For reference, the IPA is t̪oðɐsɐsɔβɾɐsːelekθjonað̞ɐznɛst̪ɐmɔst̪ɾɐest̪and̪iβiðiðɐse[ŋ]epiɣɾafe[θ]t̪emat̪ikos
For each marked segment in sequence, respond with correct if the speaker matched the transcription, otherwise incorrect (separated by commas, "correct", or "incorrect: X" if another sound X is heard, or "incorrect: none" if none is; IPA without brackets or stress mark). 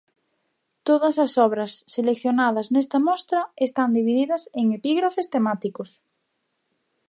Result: correct, incorrect: s